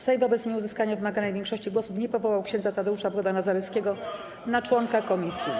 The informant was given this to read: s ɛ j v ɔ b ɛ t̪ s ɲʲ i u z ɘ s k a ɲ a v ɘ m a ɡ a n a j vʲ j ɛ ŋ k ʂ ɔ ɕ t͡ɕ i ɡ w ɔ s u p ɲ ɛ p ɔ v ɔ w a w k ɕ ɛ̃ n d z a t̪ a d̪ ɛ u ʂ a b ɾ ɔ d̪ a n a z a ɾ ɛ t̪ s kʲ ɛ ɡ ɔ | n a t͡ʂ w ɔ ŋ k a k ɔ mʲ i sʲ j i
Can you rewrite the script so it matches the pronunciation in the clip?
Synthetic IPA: s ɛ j v ɔ b ɛ t̪ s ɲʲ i u z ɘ s k a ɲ a v ɘ m a ɡ a n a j vʲ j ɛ ŋ k ʂ ɔ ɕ t͡ɕ i ɡ w ɔ s u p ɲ ɛ p ɔ v ɔ w a w k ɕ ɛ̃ n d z a t̪ a d̪ ɛ u ʂ a b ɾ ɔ d̪ a n a z a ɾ ɛ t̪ s kʲ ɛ ɡ ɔ | n a t͡ʂ w ɔ ŋ k a k ɔ mʲ i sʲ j i